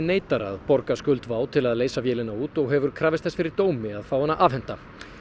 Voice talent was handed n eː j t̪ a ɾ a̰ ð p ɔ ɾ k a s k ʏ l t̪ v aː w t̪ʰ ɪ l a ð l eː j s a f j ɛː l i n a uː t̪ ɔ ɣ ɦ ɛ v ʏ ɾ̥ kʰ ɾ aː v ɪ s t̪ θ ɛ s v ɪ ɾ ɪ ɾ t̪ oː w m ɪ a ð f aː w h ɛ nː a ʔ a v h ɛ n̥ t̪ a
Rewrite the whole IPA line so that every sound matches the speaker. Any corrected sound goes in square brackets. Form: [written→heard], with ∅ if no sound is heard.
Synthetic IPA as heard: n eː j t̪ a ɾ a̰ ð p ɔ ɾ k a s k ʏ l t̪ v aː w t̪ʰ ɪ l a ð l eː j s a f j ɛː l [i→ɪ] n a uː t̪ ɔ ɣ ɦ ɛ v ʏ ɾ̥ kʰ ɾ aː v ɪ s t̪ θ ɛ s [v→f] ɪ ɾ ɪ ɾ t̪ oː w m ɪ a ð f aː w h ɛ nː a ʔ a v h ɛ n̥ t̪ a